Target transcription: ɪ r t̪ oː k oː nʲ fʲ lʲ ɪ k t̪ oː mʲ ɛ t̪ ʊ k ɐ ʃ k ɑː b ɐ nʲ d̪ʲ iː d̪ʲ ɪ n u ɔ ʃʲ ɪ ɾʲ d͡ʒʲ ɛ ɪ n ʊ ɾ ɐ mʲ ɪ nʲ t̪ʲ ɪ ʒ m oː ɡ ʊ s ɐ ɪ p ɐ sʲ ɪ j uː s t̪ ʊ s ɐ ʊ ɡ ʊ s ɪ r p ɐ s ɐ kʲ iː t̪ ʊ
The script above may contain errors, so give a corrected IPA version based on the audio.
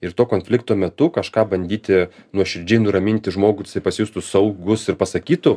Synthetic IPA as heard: ɪ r t̪ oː k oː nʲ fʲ lʲ ɪ k t̪ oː mʲ ɛ t̪ ʊ k ɐ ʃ k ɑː b ɐ nʲ d̪ʲ iː t̪ʲ ɪ n u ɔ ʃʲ ɪ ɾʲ d͡ʒʲ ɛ ɪ n ʊ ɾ ɐ mʲ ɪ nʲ t̪ʲ ɪ ʒ m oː ɡ ʊ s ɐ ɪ p ɐ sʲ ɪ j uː s t̪ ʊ s ɐ ʊ ɡ ʊ s ɪ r p ɐ s ɐ kʲ iː t̪ ʊ